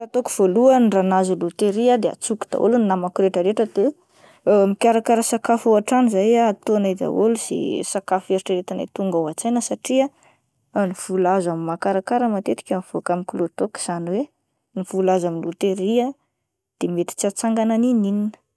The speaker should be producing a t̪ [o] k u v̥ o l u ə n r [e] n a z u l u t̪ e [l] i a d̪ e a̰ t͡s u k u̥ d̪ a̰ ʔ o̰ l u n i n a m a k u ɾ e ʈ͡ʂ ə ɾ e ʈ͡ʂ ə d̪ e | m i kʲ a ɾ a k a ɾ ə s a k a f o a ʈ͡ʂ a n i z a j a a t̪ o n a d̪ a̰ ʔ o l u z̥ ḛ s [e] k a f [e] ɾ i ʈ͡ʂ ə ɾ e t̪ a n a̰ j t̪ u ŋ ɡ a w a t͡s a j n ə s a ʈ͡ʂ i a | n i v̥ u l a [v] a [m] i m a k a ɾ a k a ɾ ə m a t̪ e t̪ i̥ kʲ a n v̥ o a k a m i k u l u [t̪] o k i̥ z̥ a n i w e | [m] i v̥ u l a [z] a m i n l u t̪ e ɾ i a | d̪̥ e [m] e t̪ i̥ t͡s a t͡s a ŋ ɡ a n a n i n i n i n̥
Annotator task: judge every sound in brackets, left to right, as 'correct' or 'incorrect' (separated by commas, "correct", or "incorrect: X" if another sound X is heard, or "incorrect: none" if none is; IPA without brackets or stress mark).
correct, incorrect: a, incorrect: ɾ, incorrect: a, correct, incorrect: z, correct, correct, incorrect: n, correct, correct